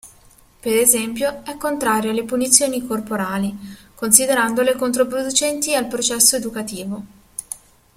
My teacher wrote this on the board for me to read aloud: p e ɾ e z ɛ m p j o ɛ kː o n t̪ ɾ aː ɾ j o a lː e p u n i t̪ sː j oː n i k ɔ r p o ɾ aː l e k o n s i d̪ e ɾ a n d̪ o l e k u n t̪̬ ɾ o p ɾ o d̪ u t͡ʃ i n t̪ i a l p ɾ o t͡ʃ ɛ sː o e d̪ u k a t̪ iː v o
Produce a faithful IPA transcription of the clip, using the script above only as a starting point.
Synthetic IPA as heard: p e ɾ e z ɛ m p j o ɛ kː o n t̪ ɾ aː ɾ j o a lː e p u n i t̪ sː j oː n i k o r p o ɾ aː l i k o n s i d̪ e ɾ a n d̪ o l e k o n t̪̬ ɾ o p ɾ o d̪ u t͡ʃ ɛ n t̪ i a l p ɾ o t͡ʃ ɛ sː o e d̪ u k a t̪ iː v o